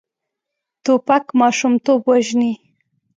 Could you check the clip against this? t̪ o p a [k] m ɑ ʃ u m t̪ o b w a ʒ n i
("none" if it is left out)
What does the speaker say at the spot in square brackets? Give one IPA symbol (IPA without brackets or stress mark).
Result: k